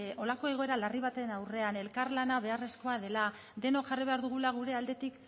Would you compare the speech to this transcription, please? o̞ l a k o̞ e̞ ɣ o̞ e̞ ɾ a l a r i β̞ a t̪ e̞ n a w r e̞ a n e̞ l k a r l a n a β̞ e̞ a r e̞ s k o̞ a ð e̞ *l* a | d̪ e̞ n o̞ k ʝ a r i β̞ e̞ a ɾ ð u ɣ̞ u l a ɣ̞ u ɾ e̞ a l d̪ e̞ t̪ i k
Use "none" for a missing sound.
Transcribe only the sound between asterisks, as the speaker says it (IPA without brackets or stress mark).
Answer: l